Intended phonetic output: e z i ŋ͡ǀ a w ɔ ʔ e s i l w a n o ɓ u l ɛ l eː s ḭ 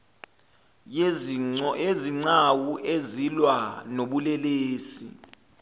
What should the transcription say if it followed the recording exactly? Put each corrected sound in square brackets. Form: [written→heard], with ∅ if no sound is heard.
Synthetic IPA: e z i ŋ͡ǀ a w [ɔ→u] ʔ e [s→z] i l w a n o ɓ u l ɛ l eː s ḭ